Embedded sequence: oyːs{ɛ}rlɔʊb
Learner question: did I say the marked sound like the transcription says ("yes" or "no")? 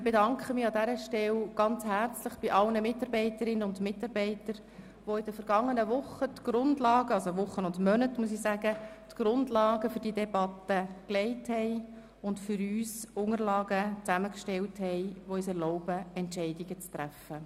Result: yes